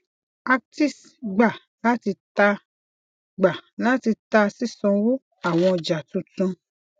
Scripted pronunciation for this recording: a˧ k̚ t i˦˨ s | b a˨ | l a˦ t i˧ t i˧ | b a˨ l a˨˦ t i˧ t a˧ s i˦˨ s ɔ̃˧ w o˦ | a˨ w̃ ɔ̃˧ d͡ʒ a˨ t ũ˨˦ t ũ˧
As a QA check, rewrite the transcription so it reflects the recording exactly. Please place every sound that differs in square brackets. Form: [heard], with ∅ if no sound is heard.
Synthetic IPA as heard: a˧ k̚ t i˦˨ s | [ɡ͡b] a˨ | l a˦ t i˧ t [a˧] | [ɡ͡b] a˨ l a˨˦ t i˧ t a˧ s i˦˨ s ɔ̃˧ w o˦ | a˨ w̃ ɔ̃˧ d͡ʒ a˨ t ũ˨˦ t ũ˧